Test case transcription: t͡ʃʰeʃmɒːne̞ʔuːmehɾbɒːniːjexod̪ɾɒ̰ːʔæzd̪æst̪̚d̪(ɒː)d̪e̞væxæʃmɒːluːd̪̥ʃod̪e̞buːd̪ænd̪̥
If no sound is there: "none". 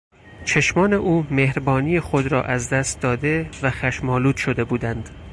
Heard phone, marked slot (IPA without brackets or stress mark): ɒː